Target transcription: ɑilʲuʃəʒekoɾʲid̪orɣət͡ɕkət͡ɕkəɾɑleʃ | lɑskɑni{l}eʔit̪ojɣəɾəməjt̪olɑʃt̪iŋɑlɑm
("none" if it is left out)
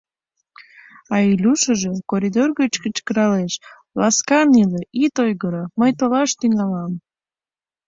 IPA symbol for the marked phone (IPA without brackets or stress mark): l